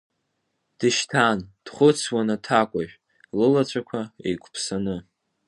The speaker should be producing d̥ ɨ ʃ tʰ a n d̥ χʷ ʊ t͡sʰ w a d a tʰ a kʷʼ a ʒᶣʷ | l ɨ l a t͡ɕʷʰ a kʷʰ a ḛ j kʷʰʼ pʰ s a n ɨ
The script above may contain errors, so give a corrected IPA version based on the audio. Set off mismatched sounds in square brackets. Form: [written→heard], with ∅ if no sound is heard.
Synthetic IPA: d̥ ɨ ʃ tʰ a n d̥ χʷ ʊ t͡sʰ w a [d→n] a tʰ a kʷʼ a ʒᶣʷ | l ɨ l a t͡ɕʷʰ a kʷʰ a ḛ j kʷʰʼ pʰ s a n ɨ